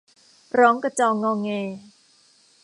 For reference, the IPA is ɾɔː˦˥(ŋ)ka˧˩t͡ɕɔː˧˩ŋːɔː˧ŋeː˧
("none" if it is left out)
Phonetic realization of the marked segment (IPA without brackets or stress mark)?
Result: ŋ